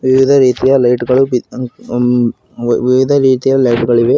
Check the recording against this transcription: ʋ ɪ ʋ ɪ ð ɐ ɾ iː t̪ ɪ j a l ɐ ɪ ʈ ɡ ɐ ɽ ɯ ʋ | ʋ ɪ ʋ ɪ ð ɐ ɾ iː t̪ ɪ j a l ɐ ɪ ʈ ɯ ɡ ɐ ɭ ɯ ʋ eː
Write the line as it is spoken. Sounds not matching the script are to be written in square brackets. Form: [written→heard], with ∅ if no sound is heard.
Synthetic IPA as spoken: ʋ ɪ ʋ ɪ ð ɐ ɾ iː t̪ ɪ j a l ɐ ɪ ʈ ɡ ɐ [ɽ→ɭ] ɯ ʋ | ʋ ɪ ʋ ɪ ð ɐ ɾ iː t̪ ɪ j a l ɐ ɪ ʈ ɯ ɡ ɐ ɭ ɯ ʋ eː